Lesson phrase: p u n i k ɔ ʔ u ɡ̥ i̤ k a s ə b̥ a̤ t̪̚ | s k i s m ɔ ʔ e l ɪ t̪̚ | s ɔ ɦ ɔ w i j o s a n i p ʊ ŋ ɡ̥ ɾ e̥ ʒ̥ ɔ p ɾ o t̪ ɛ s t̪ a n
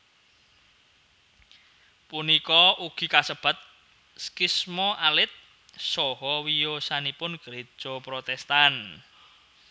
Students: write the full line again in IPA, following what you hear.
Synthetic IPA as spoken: p u n i k ɔ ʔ u ɡ̥ i̤ k a s ə b̥ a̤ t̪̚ | s k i s m ɔ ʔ a l ɪ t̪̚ | s ɔ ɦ ɔ w i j o s a n i p ʊ n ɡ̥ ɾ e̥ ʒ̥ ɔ p ɾ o t̪ ɛ s t̪ a n